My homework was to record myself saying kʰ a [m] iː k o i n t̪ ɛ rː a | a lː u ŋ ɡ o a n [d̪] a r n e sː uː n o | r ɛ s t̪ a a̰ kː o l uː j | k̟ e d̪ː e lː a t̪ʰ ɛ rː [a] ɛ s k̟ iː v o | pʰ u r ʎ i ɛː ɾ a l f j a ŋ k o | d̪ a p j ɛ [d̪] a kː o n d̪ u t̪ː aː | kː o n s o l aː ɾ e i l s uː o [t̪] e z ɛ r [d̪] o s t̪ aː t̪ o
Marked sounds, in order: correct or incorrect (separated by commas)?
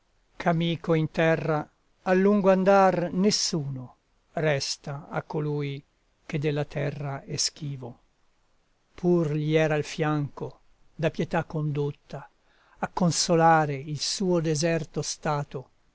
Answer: correct, correct, correct, incorrect, incorrect, incorrect